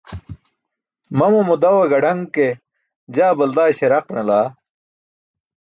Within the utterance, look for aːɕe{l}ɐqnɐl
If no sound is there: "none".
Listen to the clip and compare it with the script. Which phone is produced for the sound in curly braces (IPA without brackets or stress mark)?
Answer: ɾ